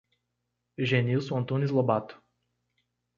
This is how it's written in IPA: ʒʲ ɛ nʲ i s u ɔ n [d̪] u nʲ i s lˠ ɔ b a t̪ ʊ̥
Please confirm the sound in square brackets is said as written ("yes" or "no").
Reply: no